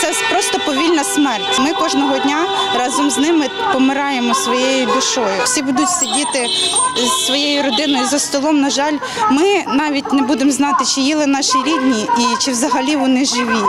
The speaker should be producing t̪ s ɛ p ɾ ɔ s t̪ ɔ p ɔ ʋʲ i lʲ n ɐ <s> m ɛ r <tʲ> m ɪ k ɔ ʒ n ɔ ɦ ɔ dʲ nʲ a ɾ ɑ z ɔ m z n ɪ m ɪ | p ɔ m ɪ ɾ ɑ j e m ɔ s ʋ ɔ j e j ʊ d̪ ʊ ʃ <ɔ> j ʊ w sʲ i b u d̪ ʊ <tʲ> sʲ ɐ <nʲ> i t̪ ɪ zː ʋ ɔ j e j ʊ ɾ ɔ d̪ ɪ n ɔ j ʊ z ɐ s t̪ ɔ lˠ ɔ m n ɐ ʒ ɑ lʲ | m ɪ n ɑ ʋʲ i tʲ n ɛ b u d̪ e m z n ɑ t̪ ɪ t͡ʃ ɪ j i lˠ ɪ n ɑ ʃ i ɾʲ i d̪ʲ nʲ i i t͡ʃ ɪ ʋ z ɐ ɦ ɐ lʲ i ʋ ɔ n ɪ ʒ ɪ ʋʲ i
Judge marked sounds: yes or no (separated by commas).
yes, yes, yes, yes, no